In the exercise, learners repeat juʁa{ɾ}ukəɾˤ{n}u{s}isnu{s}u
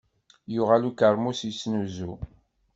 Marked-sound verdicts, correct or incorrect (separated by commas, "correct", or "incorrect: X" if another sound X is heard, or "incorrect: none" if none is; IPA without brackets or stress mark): incorrect: l, incorrect: m, correct, incorrect: z